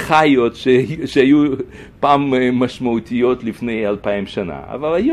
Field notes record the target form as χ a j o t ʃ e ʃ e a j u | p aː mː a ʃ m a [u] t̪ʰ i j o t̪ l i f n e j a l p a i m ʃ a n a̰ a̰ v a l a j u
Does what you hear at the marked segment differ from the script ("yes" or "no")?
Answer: no